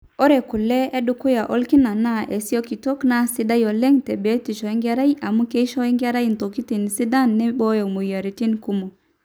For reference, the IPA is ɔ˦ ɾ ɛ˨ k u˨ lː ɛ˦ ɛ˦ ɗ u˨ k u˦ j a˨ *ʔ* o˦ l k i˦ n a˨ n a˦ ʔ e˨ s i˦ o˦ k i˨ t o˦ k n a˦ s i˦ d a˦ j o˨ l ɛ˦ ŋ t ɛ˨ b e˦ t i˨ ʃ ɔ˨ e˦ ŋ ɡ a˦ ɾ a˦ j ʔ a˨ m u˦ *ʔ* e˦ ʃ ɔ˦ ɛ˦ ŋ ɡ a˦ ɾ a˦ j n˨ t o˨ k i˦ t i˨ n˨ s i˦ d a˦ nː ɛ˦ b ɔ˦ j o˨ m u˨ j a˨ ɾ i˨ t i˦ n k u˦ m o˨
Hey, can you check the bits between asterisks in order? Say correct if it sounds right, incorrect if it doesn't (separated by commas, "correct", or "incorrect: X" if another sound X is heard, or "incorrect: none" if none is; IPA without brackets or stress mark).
correct, incorrect: k